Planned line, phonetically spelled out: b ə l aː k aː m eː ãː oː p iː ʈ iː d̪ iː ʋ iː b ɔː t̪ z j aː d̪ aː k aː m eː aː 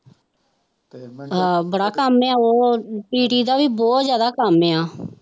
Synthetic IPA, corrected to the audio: b ə ɽ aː k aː m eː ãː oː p iː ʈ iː d̪ aː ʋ iː b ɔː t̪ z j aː d̪ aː k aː m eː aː